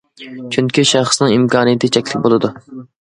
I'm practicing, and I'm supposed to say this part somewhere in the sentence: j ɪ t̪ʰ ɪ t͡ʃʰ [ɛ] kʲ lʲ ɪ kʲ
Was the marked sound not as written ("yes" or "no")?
no